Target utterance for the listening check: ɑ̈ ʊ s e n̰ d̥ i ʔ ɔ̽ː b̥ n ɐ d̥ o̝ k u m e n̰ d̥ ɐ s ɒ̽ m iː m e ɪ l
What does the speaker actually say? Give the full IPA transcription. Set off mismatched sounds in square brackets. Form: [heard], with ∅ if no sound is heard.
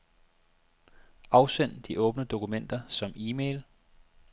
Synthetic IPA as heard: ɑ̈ ʊ s e n̰ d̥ i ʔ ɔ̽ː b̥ n [ə] d̥ o̝ k u m e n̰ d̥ ɐ s ɒ̽ m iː m e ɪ l